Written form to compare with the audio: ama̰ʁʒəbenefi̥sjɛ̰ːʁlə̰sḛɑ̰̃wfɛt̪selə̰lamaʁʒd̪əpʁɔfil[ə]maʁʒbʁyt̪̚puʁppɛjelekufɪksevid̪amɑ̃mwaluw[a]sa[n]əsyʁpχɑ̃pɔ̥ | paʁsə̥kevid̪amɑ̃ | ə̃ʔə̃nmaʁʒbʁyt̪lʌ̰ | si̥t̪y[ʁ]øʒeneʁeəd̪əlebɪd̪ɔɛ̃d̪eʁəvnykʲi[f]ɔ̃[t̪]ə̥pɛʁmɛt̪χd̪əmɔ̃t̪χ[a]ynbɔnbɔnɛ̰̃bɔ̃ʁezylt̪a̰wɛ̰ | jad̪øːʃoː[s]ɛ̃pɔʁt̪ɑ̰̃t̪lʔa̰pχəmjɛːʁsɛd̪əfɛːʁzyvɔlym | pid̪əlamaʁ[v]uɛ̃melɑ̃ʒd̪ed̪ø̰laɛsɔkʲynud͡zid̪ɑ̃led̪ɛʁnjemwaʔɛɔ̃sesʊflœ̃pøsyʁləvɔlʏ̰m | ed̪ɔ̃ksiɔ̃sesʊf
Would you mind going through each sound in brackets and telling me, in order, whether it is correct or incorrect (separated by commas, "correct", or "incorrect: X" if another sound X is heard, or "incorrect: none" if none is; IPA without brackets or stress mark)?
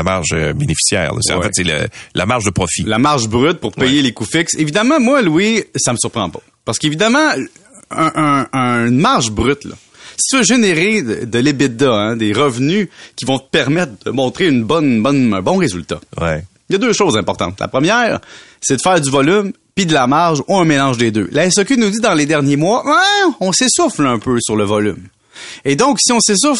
incorrect: a, incorrect: i, incorrect: m, incorrect: v, incorrect: v, correct, incorrect: e, incorrect: z, incorrect: ʒ